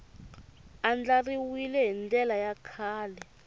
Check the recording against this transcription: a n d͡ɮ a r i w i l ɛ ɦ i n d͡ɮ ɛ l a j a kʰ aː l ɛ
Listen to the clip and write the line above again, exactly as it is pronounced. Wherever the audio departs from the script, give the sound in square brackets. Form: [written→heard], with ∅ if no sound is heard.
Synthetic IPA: a n d͡ɮ a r i w i l ɛ ɦ i n d͡ɮ ɛ l a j a kʰ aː l ɛ